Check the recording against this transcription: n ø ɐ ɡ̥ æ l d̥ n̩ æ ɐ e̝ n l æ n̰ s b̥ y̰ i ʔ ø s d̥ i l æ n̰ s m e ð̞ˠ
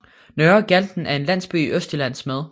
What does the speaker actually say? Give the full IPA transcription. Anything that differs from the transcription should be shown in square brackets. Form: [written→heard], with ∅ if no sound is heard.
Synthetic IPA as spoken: n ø ɐ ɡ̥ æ l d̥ n̩ æ ɐ e̝ n l æ n̰ s b̥ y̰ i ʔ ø s d̥ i l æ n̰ s m e ð̞ˠ